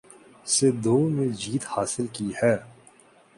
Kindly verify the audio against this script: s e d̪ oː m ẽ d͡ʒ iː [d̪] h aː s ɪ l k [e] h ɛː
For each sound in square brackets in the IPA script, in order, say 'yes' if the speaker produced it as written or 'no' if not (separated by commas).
no, no